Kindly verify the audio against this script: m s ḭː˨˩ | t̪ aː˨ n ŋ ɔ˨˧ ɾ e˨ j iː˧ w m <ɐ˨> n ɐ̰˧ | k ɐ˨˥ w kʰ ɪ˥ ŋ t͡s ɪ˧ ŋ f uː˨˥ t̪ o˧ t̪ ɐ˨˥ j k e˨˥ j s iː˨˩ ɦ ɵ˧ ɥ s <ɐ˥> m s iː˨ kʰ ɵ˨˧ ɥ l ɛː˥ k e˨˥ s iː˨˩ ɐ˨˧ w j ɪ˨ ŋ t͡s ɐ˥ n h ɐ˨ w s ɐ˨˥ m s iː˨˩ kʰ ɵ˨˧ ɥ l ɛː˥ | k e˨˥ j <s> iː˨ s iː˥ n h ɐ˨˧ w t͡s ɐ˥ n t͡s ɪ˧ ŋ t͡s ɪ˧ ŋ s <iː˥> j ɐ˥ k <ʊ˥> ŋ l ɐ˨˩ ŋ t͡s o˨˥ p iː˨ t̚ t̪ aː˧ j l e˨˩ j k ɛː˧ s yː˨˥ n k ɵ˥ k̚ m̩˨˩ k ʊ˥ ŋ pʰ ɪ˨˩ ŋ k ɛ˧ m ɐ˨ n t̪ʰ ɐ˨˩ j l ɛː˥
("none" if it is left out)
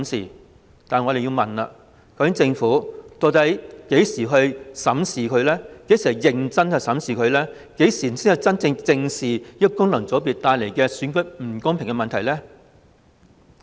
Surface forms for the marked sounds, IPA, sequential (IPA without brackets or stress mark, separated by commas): ɐ˨, ɐ˨˥, s, iː˨˩, ʊ˥